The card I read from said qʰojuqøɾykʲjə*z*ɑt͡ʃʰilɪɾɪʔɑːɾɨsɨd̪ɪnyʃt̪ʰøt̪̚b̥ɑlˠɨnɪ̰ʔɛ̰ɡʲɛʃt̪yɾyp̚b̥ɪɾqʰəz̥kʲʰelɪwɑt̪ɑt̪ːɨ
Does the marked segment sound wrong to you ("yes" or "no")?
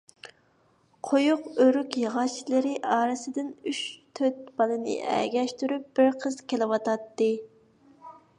yes